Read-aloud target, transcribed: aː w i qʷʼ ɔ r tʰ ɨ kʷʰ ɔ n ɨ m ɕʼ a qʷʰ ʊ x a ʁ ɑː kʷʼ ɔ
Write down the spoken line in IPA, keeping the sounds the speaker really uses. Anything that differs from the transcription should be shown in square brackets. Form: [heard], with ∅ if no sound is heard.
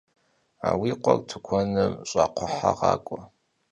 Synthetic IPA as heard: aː w i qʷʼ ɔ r tʰ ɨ kʷʰ ɔ n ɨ m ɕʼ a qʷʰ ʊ [ħ] a ʁ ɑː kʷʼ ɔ